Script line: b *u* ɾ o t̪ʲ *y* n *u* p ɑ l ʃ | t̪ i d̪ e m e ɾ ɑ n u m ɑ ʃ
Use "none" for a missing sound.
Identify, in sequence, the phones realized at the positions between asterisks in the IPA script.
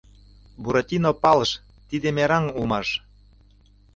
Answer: u, i, o

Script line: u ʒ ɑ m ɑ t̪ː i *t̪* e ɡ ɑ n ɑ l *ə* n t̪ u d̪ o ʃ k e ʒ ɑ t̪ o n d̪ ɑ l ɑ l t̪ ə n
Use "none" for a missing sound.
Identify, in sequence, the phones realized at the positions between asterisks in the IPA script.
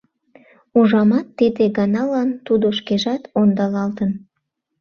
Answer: d̪, ɑ

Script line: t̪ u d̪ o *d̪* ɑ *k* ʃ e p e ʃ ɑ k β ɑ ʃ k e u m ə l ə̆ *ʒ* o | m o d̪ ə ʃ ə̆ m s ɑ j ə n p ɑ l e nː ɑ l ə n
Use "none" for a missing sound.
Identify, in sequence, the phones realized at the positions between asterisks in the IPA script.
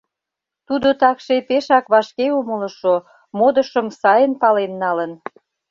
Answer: t̪, k, ʃ

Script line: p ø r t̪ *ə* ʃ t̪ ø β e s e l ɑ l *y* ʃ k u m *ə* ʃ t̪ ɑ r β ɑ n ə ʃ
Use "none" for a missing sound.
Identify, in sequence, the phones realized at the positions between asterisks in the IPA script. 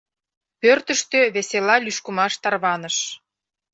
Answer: ə, y, ɑ

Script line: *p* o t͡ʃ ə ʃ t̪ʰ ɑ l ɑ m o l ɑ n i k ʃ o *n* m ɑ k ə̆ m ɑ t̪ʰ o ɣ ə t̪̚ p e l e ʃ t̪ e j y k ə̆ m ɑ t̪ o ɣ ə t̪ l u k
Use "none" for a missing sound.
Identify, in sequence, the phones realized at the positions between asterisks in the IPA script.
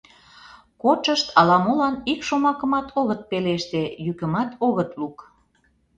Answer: k, none

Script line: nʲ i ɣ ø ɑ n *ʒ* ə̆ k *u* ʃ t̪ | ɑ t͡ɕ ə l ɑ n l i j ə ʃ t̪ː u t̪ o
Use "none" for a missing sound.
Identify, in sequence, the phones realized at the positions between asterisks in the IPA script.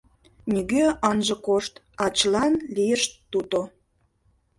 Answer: ʒ, o

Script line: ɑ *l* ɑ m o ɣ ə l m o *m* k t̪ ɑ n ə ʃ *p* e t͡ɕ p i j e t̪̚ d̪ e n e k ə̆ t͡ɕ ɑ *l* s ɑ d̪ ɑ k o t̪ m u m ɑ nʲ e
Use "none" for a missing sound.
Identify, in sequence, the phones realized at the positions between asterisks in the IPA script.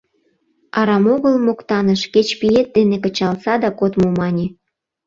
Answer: ɾ, none, k, l

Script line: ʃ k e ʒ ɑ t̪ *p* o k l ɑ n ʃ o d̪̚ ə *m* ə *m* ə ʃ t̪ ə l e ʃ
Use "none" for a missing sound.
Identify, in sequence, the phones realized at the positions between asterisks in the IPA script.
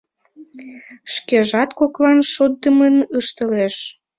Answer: k, m, n

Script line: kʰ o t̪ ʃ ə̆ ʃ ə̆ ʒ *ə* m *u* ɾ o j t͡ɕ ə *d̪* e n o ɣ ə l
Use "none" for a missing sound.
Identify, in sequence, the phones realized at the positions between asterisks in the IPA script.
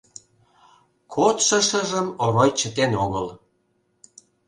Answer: ə, o, t̪

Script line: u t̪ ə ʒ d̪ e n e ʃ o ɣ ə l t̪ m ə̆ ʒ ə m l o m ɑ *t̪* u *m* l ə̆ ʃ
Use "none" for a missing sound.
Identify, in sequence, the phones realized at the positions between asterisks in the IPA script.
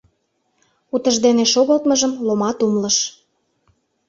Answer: t̪, m

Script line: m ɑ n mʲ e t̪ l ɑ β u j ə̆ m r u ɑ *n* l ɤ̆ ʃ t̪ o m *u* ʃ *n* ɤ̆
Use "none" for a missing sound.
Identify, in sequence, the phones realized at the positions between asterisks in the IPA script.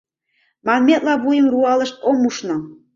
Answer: none, u, n

